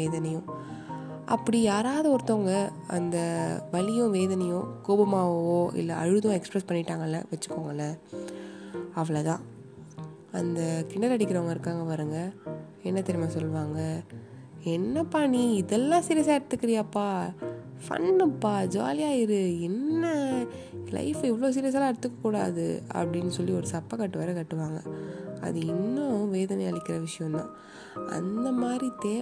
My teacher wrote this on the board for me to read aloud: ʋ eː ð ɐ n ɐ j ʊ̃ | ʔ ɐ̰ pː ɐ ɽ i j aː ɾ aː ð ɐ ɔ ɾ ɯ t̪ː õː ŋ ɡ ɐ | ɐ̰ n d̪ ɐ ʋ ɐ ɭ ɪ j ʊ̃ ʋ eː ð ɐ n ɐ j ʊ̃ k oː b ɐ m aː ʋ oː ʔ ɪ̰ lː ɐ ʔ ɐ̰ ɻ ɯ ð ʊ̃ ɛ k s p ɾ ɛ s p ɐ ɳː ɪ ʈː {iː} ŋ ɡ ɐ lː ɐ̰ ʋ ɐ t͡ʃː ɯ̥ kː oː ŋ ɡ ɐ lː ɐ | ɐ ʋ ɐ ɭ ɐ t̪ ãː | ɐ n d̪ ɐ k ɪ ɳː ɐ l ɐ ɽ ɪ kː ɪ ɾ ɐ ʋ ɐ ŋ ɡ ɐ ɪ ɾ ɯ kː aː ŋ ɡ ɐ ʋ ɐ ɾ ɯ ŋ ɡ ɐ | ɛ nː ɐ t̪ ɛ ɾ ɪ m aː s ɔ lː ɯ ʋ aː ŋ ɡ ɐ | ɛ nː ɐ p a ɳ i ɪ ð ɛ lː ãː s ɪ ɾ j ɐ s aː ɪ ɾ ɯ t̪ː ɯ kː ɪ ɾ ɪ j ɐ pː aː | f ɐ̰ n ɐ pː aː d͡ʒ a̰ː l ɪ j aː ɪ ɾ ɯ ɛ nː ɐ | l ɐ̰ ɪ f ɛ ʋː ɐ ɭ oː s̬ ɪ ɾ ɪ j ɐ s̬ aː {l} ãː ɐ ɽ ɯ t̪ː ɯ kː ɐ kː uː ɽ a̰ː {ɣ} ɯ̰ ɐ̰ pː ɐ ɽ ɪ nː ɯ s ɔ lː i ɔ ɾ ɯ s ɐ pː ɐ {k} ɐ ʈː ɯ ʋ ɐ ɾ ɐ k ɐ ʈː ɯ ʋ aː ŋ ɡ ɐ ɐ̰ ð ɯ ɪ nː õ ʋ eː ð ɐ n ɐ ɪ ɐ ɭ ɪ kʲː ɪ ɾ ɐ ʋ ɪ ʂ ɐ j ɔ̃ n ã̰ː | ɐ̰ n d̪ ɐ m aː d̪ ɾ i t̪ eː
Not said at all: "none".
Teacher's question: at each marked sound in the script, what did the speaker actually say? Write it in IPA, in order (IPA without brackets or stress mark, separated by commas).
aː, l, ð, k